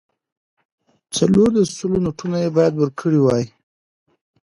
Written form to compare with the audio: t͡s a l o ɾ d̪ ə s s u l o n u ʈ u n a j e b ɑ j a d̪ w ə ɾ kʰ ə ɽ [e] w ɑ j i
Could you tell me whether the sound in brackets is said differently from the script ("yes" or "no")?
yes